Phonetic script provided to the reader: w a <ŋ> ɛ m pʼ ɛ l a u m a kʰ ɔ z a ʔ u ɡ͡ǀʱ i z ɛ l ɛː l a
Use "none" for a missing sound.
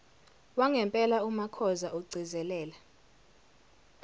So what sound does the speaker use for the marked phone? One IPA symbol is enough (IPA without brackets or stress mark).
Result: ŋ